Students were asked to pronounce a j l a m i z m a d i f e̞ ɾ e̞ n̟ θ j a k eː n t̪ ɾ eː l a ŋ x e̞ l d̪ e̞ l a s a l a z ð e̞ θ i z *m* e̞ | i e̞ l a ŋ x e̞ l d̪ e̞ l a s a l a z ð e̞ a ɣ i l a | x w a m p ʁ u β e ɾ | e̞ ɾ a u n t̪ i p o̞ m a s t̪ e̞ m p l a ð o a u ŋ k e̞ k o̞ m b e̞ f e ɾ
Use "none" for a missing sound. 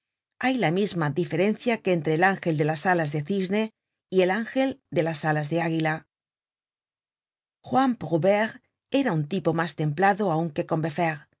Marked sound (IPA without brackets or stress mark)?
n